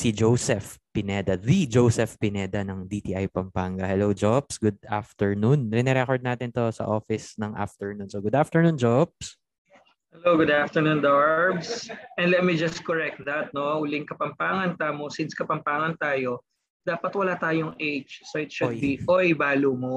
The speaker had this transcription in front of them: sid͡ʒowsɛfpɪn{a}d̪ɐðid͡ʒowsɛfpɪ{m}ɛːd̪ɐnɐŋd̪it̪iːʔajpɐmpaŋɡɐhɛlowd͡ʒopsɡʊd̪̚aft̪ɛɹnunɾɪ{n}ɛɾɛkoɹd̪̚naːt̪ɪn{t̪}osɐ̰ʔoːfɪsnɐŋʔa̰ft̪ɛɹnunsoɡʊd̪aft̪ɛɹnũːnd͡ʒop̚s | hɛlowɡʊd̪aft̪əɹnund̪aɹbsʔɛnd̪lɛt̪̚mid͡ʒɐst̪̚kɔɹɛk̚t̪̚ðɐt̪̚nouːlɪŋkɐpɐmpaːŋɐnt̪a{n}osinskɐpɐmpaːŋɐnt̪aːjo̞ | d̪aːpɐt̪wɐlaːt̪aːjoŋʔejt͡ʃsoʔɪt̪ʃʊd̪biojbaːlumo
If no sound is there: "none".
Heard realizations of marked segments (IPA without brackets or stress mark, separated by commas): ɛ, n, n, t̪, m